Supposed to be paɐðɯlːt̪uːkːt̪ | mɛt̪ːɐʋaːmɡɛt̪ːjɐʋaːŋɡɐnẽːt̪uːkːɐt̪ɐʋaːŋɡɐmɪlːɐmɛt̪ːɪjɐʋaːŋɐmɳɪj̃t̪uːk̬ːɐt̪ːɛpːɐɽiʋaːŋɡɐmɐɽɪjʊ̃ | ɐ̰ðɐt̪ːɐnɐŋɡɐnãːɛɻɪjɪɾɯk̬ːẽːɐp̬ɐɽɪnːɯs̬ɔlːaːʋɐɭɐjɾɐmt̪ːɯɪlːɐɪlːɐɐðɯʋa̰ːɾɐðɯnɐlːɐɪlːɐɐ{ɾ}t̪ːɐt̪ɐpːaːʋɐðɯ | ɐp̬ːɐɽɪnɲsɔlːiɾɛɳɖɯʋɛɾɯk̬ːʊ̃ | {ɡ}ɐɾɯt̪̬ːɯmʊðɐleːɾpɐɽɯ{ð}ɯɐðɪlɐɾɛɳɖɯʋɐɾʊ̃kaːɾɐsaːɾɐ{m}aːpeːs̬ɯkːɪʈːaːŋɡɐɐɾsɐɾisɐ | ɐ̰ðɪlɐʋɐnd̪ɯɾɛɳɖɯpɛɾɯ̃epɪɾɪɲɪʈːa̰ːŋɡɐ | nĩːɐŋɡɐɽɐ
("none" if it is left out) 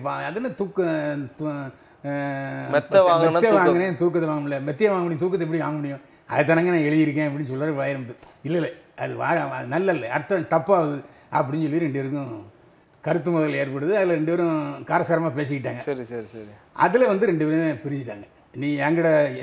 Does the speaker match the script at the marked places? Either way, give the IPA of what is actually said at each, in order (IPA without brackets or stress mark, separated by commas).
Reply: ɾ, k, ð, m